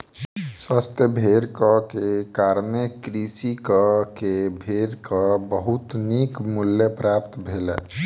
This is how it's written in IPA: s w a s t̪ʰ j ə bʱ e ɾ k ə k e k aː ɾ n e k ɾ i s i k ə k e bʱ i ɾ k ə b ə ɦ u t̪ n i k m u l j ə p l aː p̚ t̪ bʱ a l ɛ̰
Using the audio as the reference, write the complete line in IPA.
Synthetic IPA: s w a s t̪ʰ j ə bʱ e ɾ k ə k e k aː ɾ n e k ɾ i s i k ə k e bʱ e ɾ k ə b ə ɦ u t̪ n i k m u l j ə p ɾ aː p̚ t̪ bʱ e l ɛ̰